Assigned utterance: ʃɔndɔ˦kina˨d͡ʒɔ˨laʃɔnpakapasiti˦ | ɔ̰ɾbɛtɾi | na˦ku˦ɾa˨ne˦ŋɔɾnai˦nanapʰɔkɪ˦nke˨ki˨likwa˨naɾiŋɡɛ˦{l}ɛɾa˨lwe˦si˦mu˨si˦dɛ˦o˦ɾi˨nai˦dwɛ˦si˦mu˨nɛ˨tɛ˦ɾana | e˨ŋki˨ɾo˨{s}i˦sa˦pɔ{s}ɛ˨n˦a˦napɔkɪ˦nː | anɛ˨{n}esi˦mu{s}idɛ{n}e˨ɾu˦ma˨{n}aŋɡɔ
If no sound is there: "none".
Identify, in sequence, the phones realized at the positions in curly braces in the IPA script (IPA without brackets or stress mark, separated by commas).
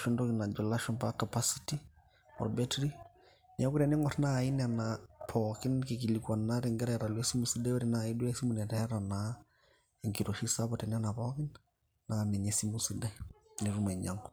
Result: ɾ, ʃ, t, ɲ, s, n, ɲ